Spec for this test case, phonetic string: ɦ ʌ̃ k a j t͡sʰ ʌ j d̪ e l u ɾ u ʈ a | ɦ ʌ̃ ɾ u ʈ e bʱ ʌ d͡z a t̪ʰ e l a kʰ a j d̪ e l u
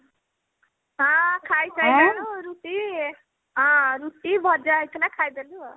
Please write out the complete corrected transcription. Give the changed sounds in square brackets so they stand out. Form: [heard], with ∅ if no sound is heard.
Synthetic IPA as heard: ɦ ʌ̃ [kʰ] a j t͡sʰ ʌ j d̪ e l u ɾ u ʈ [i] | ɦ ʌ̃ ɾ u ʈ [i] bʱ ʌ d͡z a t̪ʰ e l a kʰ a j d̪ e l u